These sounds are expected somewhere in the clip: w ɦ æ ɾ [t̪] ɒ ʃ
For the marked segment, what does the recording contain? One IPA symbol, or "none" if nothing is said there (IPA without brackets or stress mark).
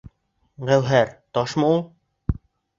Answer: t̪